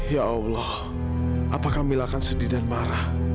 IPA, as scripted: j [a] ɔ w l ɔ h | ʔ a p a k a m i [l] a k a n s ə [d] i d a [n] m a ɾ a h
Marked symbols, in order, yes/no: yes, yes, yes, yes

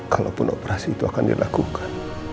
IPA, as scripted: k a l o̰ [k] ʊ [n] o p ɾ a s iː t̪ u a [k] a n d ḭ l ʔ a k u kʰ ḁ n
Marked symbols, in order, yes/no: no, yes, yes

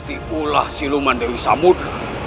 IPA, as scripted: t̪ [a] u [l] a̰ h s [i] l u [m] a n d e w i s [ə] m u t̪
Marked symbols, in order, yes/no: no, yes, yes, yes, no

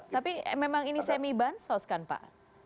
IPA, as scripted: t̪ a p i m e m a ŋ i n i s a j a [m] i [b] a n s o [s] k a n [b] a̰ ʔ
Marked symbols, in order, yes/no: yes, yes, yes, no

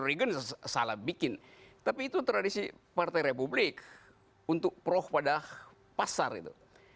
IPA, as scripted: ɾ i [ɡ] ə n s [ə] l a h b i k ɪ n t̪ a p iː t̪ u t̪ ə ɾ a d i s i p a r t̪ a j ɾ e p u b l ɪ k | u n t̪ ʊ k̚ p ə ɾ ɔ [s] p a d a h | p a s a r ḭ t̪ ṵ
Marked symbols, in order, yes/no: yes, no, no

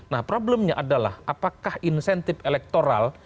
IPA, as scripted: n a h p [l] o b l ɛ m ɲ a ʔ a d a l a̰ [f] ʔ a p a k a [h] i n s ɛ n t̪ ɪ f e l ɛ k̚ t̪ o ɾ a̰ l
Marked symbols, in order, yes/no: no, no, yes

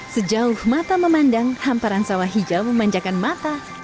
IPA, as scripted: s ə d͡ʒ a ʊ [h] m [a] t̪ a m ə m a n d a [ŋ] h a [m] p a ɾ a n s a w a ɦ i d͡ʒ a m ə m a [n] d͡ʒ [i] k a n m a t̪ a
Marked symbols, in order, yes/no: yes, yes, yes, yes, no, no

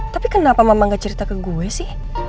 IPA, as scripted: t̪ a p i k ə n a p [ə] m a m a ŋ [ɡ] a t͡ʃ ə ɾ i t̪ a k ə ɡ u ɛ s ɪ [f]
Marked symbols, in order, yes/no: no, yes, no

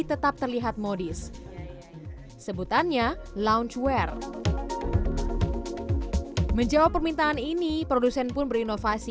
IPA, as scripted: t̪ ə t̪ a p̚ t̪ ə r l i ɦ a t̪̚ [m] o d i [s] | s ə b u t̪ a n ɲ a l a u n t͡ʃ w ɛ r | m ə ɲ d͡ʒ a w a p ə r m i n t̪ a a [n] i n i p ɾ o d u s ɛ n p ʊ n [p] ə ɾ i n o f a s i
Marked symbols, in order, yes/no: yes, yes, yes, no

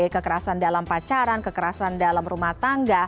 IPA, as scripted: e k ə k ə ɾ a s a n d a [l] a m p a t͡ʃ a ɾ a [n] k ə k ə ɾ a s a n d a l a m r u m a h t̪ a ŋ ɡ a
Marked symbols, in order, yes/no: yes, yes

